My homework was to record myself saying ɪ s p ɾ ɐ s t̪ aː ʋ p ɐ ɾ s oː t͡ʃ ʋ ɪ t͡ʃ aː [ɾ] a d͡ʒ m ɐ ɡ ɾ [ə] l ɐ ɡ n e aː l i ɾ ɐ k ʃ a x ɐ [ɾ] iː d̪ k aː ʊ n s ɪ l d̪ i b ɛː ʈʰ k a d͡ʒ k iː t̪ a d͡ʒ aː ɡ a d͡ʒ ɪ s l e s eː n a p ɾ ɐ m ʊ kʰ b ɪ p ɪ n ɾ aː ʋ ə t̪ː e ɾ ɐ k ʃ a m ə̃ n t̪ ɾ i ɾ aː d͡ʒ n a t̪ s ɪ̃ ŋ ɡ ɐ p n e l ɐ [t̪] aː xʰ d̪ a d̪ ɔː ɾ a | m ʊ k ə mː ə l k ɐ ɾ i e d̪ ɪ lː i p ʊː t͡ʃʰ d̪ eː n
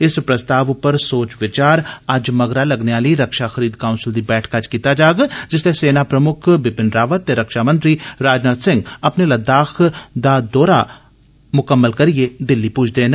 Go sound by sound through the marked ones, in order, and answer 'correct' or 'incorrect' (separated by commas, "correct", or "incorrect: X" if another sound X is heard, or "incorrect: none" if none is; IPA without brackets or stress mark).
correct, incorrect: a, correct, incorrect: d̪